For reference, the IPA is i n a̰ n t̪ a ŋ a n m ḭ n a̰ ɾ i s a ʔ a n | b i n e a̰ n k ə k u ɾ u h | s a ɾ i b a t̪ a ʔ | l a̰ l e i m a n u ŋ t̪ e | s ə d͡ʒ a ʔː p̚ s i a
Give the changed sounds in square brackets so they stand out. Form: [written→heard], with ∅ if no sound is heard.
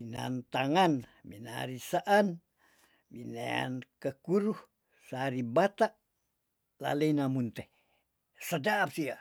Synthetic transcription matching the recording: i n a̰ n t̪ a ŋ a n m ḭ n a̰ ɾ i s a ʔ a n | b i n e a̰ n k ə k u ɾ u h | s a ɾ i b a t̪ a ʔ | l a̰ l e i [m→n] a [n→m] u [ŋ→n] t̪ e | s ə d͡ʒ a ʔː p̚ s i a